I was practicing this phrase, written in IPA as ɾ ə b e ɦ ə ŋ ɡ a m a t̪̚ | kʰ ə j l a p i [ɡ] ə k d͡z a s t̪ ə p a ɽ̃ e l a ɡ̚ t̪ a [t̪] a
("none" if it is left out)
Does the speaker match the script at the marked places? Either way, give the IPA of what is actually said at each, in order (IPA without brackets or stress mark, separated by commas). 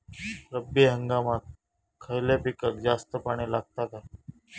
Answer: k, t̪